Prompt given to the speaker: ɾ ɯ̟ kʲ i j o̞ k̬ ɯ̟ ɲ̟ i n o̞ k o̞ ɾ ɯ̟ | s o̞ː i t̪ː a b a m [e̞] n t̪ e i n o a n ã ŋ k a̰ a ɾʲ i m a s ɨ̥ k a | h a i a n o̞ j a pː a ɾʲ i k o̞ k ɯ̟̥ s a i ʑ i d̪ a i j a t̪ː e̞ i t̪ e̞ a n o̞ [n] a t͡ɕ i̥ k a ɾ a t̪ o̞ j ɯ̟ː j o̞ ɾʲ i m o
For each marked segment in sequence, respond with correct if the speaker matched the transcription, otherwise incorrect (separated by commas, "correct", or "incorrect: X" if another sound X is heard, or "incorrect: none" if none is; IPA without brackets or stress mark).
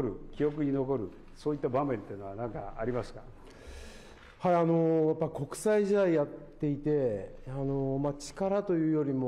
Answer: incorrect: ẽ̞, incorrect: m